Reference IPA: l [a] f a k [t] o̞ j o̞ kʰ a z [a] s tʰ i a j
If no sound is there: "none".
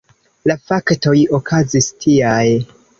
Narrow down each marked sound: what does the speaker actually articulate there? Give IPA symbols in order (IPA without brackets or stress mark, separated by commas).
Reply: a, t, i